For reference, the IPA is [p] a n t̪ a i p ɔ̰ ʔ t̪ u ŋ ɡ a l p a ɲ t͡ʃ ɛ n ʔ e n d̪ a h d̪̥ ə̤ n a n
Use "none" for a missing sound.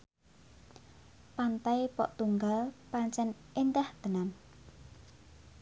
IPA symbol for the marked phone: p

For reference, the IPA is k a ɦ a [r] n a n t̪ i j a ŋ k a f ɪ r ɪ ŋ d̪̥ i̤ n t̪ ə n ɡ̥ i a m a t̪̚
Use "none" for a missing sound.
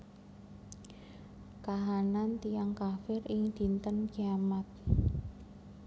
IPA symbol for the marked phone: none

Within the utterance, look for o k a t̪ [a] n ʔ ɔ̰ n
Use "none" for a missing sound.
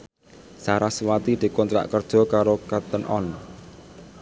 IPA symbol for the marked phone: ə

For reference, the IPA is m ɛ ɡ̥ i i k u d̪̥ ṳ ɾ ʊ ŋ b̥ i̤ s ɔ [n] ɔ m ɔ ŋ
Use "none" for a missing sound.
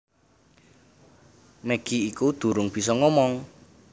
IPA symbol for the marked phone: ŋ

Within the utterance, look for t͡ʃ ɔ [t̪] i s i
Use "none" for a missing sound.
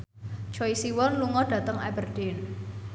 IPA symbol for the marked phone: none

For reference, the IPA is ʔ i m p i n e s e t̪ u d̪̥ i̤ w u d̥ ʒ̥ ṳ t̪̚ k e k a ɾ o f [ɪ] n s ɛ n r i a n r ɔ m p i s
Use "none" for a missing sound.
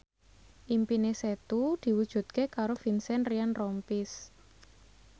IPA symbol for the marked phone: i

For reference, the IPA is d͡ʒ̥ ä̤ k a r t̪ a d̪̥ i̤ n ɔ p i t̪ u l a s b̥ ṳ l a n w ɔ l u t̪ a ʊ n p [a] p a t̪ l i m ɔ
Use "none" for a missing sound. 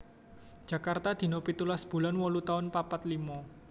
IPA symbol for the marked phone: a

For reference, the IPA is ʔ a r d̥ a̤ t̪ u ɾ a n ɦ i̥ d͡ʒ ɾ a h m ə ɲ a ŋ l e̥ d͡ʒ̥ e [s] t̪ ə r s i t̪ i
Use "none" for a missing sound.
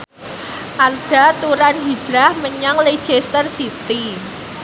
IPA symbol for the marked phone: s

